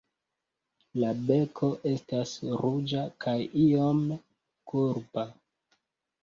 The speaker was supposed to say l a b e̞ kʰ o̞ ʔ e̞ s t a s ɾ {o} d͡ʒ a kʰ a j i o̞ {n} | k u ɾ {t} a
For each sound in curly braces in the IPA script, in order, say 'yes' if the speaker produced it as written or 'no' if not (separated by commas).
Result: no, no, no